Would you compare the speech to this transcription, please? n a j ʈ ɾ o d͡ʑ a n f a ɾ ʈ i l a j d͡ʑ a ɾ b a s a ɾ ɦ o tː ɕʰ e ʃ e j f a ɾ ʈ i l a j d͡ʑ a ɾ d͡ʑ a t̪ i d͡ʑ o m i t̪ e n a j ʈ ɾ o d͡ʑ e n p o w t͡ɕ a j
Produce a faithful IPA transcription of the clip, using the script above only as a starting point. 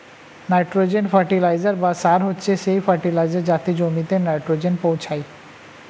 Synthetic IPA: n a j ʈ ɾ o d͡ʑ e n f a ɾ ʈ i l a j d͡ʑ a ɾ b a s a ɾ ɦ o tː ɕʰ e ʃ e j f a ɾ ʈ i l a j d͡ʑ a ɾ d͡ʑ a t̪ i d͡ʑ o m i t̪ e n a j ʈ ɾ o d͡ʑ e n p o w t͡ɕʰ a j